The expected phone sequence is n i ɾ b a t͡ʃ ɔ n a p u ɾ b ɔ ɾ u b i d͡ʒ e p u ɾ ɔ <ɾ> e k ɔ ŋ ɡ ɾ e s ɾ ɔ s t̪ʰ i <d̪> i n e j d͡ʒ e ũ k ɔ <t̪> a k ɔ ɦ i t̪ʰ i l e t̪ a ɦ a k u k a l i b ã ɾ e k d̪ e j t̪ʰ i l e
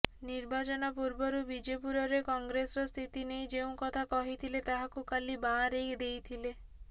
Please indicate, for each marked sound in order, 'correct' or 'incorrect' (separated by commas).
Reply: correct, incorrect, incorrect